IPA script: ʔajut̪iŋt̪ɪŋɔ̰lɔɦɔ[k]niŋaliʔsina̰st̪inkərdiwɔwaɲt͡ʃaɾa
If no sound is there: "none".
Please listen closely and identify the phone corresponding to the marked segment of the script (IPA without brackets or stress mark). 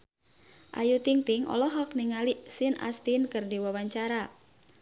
k